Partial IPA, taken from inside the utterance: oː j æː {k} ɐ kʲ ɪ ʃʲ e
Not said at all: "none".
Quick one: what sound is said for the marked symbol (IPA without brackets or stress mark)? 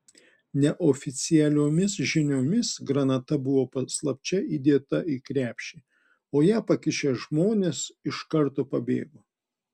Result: p